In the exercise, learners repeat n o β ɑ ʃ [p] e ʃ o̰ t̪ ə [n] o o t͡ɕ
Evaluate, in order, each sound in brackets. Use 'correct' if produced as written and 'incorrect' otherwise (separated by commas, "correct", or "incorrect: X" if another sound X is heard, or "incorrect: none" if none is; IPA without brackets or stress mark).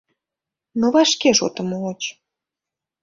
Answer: incorrect: k, incorrect: m